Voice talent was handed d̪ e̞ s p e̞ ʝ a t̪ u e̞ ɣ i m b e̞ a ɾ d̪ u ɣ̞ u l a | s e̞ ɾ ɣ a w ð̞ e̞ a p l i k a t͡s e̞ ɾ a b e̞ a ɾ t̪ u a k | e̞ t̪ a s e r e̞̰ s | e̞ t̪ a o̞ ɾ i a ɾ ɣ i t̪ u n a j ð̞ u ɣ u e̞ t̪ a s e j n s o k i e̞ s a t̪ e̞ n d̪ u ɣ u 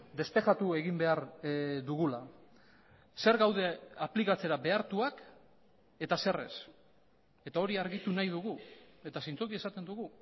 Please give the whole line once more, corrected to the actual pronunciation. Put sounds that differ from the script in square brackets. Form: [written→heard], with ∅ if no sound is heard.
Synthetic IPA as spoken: d̪ e̞ s p e̞ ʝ a t̪ u e̞ ɣ i m b e̞ a ɾ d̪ u ɣ̞ u l a | s e̞ ɾ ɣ a w ð̞ e̞ a p l i k a t͡s e̞ ɾ a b e̞ a ɾ t̪ u a k | e̞ t̪ a s e r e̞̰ s | e̞ t̪ a o̞ ɾ i a ɾ ɣ i t̪ u n a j ð̞ u ɣ u e̞ t̪ a s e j n [s→t͡s] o k i e̞ s a t̪ e̞ n d̪ u ɣ u